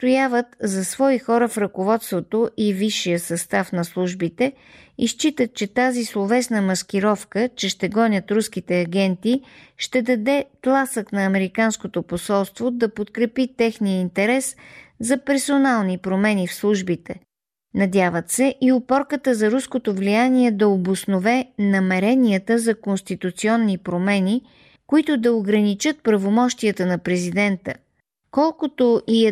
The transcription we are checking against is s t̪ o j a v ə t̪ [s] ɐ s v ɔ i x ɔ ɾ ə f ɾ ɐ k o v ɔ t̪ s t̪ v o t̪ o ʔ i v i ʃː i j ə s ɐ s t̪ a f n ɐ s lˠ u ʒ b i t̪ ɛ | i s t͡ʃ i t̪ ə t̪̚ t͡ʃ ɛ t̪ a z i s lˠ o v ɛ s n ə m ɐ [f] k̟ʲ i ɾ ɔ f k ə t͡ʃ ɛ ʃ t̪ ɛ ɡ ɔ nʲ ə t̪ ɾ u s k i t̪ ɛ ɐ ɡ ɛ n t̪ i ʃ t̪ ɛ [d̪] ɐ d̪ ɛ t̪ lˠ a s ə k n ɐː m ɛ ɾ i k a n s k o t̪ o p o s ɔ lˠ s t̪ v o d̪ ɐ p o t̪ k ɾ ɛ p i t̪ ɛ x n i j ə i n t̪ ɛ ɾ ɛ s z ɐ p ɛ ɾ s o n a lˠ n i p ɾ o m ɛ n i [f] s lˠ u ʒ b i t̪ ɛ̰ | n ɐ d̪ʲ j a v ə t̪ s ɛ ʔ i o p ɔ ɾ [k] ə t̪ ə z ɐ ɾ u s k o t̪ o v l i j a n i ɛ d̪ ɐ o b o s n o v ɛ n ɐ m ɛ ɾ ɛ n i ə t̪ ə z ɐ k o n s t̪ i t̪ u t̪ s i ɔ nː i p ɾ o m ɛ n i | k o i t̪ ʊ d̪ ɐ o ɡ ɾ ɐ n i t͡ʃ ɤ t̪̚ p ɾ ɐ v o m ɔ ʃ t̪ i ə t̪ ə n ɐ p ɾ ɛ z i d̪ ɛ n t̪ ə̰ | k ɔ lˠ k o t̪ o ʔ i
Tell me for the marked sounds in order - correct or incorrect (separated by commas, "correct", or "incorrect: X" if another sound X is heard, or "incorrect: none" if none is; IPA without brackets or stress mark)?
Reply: incorrect: z, incorrect: s, correct, correct, correct